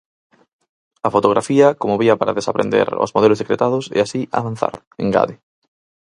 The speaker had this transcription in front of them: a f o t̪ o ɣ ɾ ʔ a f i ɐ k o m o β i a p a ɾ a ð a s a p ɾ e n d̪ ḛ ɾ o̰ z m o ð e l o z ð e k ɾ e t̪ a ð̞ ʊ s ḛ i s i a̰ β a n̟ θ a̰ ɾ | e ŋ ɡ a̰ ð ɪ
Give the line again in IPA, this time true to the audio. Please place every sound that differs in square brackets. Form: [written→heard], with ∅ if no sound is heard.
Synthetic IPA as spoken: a f o t̪ o ɣ ɾ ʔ a f i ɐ k o m o β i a p a ɾ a ð [a→e] s a p ɾ e n d̪ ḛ ɾ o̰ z m o ð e l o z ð e k ɾ e t̪ a ð̞ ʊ s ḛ [i→a] s i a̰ β a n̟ θ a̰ ɾ | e ŋ ɡ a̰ ð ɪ